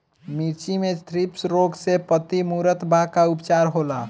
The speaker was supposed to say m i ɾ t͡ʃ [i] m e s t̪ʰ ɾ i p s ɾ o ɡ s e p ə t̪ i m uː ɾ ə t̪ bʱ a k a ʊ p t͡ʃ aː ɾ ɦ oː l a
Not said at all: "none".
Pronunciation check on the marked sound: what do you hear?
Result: i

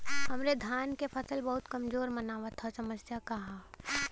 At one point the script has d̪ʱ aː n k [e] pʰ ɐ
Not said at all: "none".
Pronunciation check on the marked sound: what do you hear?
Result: e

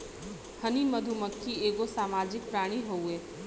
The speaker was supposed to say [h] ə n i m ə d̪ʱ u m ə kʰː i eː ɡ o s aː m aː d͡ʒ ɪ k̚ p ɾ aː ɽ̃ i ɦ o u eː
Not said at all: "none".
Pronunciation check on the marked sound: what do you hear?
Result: h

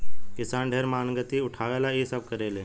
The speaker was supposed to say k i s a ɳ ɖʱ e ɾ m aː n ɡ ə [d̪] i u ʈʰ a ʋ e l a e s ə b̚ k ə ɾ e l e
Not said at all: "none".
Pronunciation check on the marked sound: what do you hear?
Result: t̪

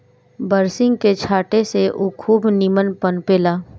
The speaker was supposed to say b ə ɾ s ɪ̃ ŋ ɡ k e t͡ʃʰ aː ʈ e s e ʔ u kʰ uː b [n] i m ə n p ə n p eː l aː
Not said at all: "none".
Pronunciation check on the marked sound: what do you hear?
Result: n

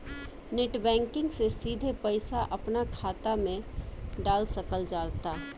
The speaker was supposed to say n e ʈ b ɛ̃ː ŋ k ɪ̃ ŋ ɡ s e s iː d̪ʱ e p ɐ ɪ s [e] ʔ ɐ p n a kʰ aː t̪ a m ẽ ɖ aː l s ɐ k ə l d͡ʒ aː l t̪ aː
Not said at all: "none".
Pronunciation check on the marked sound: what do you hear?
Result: a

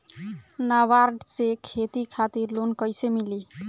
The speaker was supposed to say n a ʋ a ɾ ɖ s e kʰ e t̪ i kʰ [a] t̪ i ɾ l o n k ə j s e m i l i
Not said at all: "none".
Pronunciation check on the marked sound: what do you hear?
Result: a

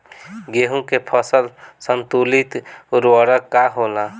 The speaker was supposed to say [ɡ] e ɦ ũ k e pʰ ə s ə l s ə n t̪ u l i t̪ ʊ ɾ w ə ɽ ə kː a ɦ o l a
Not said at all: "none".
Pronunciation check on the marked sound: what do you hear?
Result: ɡ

